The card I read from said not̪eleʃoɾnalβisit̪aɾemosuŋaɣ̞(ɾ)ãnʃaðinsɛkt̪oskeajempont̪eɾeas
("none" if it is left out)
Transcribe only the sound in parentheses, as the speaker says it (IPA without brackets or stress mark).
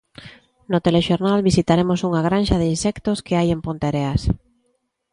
ɾ